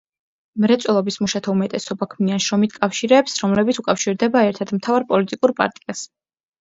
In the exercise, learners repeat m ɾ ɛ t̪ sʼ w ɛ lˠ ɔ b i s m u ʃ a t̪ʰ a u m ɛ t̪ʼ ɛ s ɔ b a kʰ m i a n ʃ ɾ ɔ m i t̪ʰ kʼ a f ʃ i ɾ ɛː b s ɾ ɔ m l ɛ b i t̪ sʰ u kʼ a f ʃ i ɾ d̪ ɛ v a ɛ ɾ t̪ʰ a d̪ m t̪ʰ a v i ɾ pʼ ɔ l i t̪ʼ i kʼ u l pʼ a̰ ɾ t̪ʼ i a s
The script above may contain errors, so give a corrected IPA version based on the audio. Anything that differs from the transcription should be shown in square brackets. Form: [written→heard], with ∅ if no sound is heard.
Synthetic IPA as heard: m ɾ ɛ t̪ sʼ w ɛ lˠ ɔ b i s m u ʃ a t̪ʰ a u m ɛ t̪ʼ ɛ s ɔ b a kʰ m i a n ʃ ɾ ɔ m i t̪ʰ kʼ a f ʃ i ɾ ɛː [b→p] s ɾ ɔ m l ɛ b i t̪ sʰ u kʼ a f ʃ i ɾ d̪ ɛ [v→b] a ɛ ɾ t̪ʰ a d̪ m t̪ʰ a v [i→a] ɾ pʼ ɔ l i t̪ʼ i kʼ u [l→ɾ] pʼ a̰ ɾ t̪ʼ i a s